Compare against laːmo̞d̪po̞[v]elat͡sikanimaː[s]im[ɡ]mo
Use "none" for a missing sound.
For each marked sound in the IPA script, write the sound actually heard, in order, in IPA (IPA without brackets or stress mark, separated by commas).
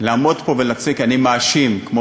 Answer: v, ʃ, k